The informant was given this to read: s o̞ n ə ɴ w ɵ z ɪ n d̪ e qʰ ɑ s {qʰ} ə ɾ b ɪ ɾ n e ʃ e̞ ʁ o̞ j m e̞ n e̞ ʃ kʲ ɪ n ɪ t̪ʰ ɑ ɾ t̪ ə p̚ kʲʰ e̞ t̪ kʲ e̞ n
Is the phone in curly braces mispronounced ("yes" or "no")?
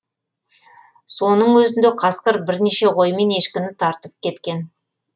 yes